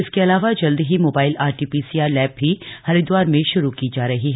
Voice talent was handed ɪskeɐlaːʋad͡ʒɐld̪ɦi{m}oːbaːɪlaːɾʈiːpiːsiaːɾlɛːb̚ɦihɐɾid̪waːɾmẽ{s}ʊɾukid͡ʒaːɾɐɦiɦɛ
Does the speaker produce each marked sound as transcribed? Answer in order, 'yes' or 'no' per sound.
yes, no

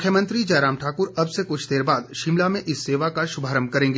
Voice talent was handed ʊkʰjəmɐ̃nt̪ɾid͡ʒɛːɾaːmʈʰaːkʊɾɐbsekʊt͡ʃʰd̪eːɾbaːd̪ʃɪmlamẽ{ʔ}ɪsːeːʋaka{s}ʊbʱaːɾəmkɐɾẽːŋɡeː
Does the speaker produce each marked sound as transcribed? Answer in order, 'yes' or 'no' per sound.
yes, no

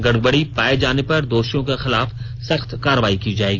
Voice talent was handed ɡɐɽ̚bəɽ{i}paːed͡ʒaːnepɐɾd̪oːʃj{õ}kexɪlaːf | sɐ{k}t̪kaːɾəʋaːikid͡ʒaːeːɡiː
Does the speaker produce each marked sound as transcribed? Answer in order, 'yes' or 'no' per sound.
yes, yes, no

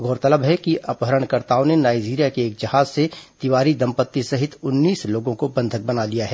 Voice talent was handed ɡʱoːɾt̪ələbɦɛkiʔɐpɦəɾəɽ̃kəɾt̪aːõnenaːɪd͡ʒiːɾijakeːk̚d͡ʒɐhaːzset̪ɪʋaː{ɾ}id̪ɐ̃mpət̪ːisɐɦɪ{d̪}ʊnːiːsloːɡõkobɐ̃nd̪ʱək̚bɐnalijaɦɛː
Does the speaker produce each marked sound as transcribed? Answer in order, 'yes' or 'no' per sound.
yes, no

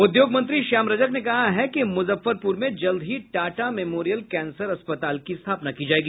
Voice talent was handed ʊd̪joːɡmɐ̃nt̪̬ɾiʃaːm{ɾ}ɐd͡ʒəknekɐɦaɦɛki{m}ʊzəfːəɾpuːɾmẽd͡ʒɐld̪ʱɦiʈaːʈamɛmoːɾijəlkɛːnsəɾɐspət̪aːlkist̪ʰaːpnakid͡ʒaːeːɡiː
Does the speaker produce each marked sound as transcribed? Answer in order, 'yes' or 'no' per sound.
yes, yes

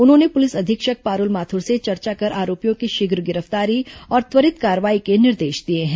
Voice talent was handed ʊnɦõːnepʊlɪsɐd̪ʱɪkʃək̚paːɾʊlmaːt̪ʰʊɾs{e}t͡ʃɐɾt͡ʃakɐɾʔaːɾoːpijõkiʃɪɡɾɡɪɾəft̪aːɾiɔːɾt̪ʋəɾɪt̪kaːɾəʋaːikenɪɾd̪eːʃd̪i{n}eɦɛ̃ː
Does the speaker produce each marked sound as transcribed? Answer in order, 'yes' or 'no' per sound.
yes, no

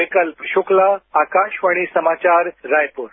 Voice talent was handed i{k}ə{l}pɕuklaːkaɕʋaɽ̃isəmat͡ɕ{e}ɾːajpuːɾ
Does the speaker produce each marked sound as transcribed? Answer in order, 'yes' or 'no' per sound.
yes, yes, no

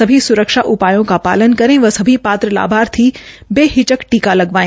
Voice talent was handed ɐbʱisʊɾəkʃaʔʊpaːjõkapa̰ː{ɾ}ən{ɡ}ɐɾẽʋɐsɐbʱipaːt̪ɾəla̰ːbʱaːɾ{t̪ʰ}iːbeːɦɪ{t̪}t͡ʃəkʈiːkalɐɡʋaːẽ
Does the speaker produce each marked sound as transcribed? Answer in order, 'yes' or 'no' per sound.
no, no, yes, no

